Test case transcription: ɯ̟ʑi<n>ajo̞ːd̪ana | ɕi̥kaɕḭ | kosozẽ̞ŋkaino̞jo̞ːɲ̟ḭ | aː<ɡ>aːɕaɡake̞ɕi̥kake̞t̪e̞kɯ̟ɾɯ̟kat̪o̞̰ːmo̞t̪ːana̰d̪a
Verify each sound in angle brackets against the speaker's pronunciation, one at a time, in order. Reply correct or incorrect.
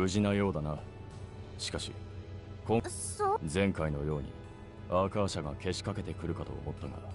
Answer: correct, incorrect

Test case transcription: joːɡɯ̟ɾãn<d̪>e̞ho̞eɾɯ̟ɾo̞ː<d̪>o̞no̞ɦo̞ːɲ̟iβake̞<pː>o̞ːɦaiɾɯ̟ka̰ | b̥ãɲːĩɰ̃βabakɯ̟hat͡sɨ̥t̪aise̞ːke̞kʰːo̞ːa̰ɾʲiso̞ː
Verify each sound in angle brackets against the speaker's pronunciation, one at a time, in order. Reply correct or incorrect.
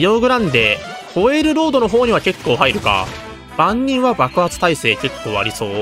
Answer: correct, correct, incorrect

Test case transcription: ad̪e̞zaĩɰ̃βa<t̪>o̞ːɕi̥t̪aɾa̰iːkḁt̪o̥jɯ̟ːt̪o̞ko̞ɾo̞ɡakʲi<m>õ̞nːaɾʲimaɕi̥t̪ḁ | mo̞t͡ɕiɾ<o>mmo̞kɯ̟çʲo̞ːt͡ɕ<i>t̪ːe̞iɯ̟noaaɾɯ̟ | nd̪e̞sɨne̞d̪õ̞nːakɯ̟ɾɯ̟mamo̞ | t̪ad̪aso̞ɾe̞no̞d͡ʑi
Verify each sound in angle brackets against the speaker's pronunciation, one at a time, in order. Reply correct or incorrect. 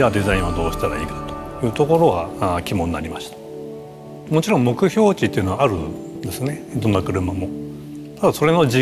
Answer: incorrect, correct, incorrect, correct

